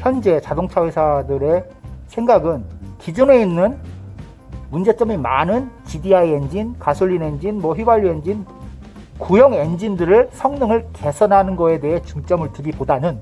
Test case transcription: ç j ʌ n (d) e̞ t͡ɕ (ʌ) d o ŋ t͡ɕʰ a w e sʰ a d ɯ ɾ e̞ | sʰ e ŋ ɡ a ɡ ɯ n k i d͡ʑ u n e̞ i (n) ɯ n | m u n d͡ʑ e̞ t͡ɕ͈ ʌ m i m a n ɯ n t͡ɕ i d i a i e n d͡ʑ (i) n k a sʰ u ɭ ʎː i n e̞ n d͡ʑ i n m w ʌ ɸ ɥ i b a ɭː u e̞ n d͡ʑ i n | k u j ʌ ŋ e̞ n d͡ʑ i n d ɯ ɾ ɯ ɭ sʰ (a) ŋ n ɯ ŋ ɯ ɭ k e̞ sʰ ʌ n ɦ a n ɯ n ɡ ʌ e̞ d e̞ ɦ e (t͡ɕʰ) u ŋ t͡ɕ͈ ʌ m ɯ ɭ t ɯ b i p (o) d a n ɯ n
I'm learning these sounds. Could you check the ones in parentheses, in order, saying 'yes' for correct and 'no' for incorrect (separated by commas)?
no, no, no, yes, no, no, yes